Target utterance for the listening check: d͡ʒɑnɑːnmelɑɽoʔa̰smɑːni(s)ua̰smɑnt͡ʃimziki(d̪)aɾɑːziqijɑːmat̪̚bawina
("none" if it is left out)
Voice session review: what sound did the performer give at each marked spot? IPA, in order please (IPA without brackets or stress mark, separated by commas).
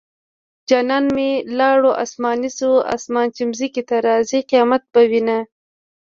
s, t̪